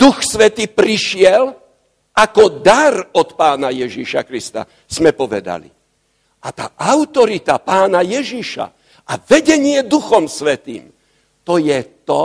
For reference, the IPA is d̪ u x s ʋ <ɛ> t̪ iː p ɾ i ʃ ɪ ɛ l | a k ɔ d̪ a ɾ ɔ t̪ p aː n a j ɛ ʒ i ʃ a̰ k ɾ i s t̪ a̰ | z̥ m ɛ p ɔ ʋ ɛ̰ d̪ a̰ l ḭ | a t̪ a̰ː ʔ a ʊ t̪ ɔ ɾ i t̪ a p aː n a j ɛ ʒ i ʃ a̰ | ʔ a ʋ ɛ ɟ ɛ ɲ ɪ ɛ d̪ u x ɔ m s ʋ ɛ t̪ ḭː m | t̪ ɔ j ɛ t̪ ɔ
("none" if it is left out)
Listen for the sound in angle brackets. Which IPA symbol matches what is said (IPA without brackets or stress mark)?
ɛ